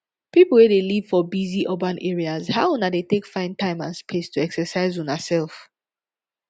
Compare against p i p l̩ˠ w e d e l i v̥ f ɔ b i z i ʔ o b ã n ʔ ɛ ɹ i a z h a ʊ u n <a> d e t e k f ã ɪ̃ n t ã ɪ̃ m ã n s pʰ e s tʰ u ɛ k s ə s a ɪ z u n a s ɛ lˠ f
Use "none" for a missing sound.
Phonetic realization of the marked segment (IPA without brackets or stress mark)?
a